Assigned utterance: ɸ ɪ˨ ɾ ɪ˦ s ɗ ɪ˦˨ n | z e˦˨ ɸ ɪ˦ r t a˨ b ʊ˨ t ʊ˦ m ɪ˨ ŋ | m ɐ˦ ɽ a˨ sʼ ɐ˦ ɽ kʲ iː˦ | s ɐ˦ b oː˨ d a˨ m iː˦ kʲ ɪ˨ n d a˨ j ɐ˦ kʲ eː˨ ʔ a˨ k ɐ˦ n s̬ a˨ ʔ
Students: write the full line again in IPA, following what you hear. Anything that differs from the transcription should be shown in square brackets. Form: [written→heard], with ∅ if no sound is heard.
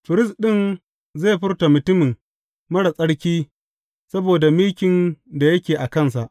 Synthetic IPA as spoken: ɸ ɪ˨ ɾ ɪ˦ s ɗ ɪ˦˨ n | z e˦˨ ɸ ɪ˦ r t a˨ [b→m] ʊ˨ t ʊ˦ m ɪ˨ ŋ | m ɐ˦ ɽ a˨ sʼ ɐ˦ ɽ kʲ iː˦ | s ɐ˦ b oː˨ d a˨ m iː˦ kʲ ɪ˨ n d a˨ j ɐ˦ kʲ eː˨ ʔ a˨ k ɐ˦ n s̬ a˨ ʔ

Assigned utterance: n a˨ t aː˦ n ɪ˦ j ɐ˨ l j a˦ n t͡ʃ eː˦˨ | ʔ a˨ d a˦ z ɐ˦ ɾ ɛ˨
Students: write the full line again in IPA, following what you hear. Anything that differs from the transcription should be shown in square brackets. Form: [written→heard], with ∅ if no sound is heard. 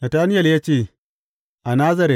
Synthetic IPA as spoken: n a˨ t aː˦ n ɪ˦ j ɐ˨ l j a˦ [n→∅] t͡ʃ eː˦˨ | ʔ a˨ [d→n] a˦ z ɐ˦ ɾ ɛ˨

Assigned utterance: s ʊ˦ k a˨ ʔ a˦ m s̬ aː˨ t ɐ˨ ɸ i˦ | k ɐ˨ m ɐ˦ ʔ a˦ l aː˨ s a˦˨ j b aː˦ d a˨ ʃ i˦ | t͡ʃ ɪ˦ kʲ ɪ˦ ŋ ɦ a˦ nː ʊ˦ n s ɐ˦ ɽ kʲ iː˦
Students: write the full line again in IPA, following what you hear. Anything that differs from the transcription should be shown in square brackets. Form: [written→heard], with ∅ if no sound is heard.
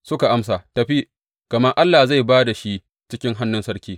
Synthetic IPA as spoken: s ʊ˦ k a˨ ʔ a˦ m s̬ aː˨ t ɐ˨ ɸ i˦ | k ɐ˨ m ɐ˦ ʔ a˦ [l→lː] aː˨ [s→z] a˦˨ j b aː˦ d a˨ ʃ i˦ | t͡ʃ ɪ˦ kʲ ɪ˦ ŋ ɦ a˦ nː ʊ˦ n s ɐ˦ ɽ kʲ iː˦

